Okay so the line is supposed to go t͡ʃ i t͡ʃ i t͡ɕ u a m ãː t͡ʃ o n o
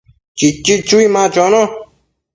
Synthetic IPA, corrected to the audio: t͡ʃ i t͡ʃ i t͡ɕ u i m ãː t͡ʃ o n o